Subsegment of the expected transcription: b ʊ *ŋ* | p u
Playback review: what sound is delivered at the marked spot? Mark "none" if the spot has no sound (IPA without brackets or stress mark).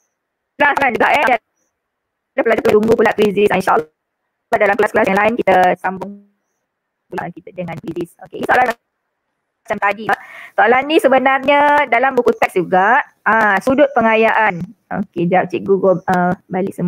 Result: ŋ